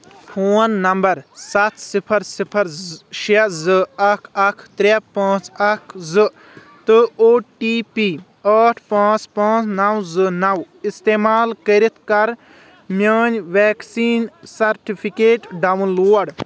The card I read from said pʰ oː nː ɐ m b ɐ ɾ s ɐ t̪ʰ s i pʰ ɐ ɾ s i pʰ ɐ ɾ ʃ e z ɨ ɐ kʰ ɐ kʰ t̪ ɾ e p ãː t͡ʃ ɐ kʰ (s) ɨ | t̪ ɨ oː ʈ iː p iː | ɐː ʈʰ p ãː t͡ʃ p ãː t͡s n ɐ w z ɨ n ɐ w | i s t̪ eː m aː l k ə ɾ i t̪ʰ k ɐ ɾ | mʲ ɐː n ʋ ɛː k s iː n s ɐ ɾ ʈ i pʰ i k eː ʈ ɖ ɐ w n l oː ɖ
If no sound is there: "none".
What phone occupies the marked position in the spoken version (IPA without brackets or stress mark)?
z